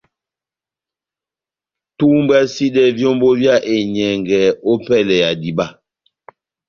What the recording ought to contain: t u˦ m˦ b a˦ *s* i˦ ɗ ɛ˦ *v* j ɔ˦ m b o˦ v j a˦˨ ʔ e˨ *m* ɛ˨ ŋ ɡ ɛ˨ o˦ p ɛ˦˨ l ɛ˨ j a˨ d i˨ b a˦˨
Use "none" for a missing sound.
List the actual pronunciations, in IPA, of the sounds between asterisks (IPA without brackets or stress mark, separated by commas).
s, v, ɲ